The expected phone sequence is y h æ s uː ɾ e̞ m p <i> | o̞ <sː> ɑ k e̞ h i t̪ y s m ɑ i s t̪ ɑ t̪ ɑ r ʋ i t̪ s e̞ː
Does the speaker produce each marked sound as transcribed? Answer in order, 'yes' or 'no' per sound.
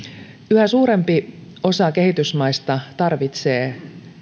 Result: yes, no

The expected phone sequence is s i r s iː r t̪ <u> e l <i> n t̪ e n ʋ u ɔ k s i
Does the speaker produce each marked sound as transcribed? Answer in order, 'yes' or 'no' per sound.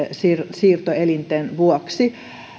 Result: no, yes

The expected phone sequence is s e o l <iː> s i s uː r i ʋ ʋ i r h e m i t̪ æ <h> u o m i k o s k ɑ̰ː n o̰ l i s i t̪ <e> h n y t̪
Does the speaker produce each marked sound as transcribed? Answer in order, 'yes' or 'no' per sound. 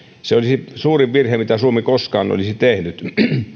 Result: no, no, yes

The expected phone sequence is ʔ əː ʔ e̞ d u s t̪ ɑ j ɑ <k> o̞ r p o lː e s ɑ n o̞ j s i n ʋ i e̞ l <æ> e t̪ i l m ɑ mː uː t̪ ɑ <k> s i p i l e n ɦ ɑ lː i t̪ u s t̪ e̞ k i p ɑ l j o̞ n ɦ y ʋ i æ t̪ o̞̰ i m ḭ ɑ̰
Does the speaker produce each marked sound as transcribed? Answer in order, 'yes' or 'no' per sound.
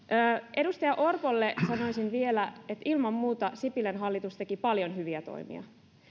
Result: no, yes, no

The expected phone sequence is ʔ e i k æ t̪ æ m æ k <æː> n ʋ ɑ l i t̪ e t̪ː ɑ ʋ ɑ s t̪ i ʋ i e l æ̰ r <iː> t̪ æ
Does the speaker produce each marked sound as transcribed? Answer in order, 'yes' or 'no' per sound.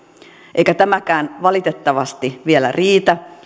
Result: yes, yes

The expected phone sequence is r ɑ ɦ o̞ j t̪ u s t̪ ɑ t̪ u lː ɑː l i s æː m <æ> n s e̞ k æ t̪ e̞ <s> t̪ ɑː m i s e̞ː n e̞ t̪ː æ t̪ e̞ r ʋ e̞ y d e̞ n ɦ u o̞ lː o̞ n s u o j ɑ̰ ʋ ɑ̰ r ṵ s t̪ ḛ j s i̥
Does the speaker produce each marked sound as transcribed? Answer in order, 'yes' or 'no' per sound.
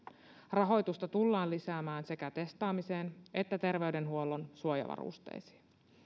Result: no, yes

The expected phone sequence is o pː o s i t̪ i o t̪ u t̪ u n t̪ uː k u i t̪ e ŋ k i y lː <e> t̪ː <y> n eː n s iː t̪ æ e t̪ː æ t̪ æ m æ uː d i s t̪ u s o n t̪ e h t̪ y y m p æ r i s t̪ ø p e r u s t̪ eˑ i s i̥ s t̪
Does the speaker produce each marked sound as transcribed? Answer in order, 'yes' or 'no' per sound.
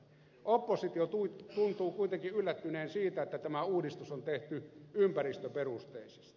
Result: no, yes

